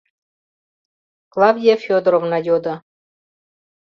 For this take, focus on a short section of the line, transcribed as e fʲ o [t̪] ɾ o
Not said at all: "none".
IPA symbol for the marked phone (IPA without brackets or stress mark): d̪